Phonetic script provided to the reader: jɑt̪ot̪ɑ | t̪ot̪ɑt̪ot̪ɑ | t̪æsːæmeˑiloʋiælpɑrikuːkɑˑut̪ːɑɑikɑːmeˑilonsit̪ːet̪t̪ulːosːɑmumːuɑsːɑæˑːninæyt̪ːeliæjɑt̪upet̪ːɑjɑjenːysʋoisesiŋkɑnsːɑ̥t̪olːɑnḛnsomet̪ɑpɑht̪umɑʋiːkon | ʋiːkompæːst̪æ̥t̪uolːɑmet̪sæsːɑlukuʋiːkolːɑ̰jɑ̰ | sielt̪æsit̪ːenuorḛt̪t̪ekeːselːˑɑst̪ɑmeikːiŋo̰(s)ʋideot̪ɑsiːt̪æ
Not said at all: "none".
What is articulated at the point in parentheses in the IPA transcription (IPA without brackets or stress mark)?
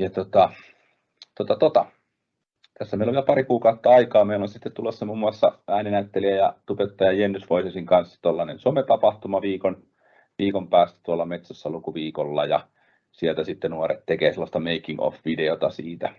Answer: f